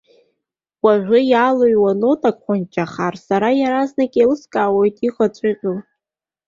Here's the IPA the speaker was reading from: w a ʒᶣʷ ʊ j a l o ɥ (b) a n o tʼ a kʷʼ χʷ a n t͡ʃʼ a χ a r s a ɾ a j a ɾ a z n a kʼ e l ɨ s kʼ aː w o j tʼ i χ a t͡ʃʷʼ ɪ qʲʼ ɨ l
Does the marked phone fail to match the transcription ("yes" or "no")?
yes